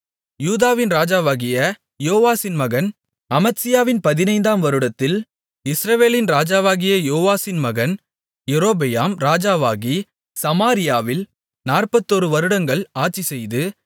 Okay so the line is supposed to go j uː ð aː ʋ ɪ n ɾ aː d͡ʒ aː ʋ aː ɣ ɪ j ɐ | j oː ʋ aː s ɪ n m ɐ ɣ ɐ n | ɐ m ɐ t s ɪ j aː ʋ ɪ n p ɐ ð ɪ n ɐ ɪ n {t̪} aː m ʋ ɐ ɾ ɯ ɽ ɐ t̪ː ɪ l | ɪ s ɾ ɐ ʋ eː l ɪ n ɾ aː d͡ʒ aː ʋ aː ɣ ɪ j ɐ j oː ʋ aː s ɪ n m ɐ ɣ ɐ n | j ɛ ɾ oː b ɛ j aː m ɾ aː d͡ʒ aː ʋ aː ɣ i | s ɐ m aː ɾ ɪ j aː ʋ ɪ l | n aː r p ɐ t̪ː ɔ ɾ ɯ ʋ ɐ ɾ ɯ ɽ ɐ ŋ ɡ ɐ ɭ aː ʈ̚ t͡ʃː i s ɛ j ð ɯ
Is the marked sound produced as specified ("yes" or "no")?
no